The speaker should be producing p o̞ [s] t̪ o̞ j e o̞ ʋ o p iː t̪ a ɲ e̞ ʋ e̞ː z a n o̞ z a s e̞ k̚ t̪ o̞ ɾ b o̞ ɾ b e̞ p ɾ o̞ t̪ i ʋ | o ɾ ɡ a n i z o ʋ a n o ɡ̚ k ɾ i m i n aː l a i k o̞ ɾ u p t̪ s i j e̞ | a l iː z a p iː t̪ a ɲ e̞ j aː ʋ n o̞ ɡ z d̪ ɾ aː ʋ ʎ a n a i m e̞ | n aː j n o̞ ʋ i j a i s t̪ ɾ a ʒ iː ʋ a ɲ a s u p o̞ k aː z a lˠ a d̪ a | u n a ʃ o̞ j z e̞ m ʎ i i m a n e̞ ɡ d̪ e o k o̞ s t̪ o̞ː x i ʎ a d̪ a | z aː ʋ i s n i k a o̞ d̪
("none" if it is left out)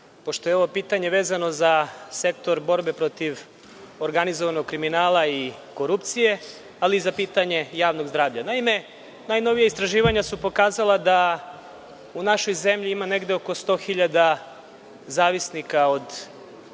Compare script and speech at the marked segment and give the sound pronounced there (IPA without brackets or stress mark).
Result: ʃ